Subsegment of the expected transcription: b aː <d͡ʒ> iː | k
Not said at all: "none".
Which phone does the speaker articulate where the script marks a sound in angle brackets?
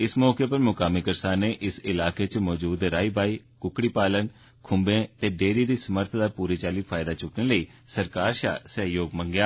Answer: none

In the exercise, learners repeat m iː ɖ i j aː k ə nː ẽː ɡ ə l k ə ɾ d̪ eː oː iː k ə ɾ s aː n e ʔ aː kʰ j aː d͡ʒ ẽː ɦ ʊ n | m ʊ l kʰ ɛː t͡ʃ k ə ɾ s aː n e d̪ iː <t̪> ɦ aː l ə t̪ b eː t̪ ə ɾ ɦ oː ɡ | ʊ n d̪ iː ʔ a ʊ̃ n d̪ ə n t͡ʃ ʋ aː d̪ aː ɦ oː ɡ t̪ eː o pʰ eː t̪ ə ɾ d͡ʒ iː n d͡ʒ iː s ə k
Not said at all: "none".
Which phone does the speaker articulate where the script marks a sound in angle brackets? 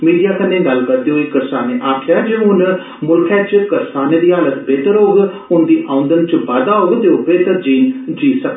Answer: none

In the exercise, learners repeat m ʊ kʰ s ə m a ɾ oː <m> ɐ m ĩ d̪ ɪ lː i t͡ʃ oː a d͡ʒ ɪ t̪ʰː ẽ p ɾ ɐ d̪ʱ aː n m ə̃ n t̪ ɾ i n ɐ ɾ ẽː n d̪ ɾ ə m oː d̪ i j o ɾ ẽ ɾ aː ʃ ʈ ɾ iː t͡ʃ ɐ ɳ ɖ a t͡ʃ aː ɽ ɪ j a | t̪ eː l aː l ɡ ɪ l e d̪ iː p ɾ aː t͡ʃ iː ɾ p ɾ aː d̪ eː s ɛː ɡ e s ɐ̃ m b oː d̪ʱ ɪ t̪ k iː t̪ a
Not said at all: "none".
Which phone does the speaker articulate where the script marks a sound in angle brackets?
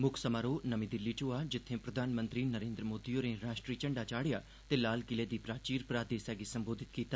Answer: n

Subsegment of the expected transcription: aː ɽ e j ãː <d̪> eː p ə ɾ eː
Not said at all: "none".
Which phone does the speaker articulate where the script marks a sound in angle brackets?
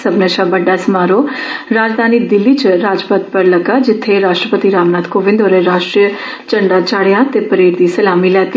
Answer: t̪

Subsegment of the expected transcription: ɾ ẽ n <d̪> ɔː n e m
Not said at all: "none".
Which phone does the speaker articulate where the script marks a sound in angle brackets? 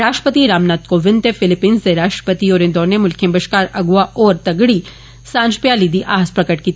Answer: d̪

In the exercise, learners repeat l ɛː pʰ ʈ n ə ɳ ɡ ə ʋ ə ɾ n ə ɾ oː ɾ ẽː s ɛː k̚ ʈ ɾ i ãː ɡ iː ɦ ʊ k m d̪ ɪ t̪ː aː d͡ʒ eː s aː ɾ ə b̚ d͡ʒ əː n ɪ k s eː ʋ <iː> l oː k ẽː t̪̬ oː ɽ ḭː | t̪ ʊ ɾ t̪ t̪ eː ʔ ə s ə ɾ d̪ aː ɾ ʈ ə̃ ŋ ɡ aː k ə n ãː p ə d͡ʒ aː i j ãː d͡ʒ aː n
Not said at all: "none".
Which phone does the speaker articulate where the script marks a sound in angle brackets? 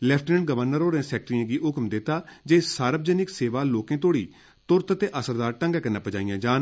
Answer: aː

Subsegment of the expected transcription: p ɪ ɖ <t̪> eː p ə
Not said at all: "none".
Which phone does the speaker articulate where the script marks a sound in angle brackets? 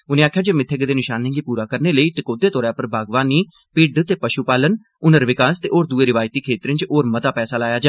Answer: t̪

